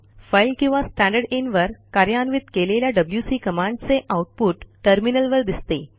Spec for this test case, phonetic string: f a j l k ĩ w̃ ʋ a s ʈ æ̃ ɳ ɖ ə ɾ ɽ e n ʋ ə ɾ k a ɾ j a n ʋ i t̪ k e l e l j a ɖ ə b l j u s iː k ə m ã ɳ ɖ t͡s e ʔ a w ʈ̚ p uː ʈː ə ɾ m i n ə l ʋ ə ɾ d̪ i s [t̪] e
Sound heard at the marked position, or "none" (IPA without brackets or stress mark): t̪